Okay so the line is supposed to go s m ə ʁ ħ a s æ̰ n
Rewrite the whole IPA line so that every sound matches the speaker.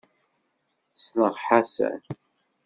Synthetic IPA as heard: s n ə ʁ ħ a s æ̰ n